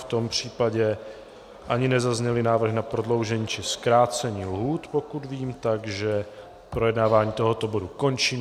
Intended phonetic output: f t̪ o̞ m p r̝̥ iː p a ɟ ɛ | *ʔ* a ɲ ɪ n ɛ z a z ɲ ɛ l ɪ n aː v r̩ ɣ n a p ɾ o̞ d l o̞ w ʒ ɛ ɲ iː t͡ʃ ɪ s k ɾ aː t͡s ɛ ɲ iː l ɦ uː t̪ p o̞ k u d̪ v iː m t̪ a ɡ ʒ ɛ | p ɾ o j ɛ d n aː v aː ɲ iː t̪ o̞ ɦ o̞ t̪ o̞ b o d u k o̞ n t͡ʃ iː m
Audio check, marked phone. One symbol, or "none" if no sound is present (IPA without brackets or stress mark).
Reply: ʔ